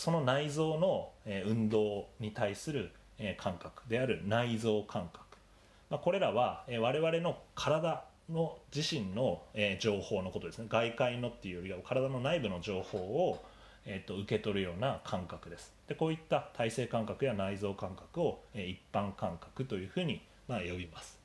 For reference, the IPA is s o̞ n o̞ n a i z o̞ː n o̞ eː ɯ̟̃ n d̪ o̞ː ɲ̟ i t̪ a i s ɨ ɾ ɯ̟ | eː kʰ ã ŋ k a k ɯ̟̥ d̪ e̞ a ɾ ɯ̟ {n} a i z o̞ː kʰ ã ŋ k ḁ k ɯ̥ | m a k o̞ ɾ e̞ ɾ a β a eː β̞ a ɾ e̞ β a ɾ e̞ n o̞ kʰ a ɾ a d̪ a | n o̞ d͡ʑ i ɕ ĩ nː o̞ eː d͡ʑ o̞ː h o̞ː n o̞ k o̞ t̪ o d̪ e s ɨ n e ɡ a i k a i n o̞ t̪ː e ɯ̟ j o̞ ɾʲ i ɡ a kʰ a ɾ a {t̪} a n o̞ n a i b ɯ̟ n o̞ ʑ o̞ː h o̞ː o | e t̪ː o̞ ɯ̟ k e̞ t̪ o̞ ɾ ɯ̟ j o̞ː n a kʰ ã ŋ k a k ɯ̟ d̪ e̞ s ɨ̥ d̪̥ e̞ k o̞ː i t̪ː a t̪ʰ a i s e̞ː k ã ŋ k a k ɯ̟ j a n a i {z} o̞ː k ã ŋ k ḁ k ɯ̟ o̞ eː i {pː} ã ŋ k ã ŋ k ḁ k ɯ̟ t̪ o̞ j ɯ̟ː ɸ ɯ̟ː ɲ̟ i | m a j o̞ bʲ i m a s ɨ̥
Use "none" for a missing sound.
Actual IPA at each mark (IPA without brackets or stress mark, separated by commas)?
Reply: n, d̪, z, pː